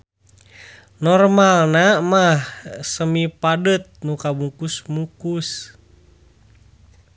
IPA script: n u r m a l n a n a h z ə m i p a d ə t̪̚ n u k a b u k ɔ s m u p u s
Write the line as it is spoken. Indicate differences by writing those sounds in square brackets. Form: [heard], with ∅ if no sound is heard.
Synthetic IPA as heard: n [ɔ] r m a l n a [m] a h [s] ə m i p a d ə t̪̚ n u k a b u k [u] s m u [k] u s